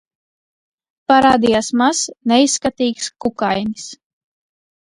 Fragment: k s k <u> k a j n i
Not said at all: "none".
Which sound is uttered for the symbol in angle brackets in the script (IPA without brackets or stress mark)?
u